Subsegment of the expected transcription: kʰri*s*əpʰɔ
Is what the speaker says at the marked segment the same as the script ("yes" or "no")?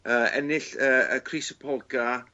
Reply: yes